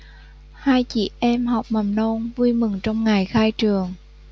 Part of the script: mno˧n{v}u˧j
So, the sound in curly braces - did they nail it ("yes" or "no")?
yes